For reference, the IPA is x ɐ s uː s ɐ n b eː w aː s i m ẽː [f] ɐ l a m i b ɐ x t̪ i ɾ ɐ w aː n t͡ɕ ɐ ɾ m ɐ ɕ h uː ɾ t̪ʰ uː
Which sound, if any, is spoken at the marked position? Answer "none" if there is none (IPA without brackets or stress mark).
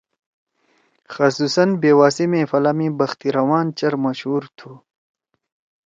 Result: f